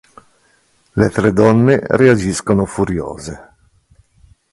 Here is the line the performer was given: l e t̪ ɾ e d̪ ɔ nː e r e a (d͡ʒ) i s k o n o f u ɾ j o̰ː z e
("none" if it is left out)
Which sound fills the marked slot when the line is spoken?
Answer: d͡ʒ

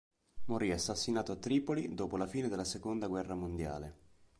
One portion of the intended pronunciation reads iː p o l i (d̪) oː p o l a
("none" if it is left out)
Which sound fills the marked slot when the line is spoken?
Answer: d̪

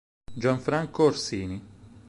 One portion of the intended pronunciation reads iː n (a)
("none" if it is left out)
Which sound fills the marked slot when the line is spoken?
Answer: i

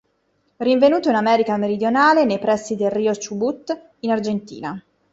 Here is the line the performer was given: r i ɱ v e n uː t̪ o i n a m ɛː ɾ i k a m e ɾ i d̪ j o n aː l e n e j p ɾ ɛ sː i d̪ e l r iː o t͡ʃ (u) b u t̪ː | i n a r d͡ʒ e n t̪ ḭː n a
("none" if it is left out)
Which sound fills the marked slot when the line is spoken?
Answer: u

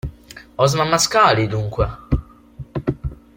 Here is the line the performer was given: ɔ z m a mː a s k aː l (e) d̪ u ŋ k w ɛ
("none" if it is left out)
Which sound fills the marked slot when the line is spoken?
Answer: i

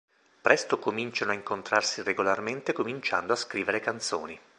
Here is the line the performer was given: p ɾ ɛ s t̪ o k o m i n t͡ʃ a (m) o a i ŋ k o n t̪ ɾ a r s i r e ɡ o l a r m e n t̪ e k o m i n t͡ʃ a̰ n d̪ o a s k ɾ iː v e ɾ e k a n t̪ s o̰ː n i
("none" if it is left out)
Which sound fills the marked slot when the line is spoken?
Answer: n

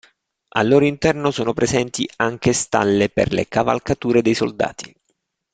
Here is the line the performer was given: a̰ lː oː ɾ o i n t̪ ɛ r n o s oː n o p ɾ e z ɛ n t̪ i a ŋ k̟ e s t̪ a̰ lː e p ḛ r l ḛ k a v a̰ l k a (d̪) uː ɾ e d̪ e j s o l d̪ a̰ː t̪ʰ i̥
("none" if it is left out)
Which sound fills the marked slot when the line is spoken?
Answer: t̪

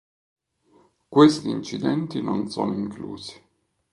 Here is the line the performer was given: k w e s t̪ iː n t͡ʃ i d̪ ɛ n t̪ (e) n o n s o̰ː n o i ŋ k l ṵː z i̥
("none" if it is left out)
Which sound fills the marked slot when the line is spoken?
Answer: i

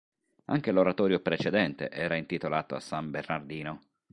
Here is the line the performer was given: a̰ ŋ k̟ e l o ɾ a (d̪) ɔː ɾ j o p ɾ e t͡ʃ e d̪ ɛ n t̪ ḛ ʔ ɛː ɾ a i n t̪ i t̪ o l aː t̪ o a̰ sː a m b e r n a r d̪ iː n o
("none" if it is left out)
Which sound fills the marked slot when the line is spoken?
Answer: t̪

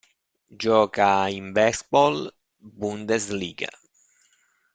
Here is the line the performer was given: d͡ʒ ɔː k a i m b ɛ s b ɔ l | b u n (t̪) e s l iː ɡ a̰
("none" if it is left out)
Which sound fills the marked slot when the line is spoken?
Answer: d̪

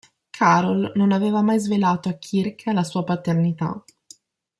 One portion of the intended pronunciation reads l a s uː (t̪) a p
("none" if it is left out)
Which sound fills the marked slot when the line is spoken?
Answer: none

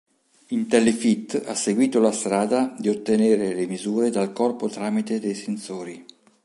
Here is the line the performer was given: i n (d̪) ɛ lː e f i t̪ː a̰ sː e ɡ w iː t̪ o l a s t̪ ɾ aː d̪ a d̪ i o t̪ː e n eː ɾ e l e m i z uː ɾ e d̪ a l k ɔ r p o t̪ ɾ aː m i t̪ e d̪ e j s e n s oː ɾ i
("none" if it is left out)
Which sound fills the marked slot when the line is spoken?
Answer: t̪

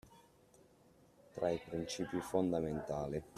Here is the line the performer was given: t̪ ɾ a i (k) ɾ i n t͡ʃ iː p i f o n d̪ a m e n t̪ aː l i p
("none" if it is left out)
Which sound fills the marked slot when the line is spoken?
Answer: p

